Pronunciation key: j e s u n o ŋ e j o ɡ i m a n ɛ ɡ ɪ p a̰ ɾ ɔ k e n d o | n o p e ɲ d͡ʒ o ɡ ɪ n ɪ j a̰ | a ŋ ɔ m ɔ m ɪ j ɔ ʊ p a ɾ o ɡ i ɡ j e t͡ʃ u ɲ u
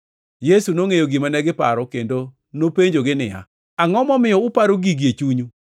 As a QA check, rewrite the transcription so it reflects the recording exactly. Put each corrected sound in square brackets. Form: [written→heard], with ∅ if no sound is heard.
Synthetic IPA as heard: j e s u n o ŋ e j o ɡ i m a n ɛ ɡ ɪ p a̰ ɾ ɔ k e n d o | n o p e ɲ d͡ʒ o ɡ ɪ n ɪ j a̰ | a ŋ ɔ m ɔ m ɪ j ɔ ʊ p a ɾ o ɡ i ɡ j e t͡ʃ u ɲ u